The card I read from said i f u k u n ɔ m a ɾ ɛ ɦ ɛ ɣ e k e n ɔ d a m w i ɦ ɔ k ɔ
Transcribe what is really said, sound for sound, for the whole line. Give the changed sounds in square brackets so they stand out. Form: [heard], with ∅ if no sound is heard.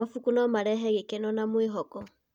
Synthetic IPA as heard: [a] f u k u n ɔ m a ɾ ɛ ɦ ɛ ɣ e k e n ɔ [n] a m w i ɦ ɔ k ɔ